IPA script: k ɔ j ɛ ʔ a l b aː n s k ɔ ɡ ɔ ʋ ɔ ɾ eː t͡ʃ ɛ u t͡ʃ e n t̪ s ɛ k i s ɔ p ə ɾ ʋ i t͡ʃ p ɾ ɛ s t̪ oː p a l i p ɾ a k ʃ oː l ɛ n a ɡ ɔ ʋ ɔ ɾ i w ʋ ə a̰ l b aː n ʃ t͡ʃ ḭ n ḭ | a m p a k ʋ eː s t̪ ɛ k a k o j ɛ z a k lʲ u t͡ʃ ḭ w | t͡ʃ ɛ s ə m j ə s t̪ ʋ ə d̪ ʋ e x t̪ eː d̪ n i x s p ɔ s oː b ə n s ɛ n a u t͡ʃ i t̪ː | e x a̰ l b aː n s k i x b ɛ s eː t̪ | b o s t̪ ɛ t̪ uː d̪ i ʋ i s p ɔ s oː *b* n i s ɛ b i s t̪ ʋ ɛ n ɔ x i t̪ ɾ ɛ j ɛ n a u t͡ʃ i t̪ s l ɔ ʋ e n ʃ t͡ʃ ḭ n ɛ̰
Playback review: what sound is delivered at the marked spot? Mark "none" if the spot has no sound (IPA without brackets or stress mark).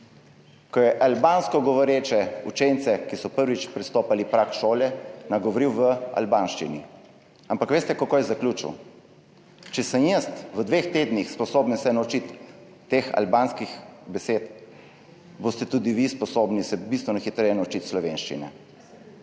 b